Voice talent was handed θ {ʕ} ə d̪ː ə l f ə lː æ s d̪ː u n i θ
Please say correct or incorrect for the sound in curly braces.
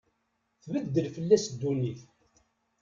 incorrect